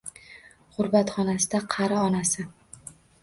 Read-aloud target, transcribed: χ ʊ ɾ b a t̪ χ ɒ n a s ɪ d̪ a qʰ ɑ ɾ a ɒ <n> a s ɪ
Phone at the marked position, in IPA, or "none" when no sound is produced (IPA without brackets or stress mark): n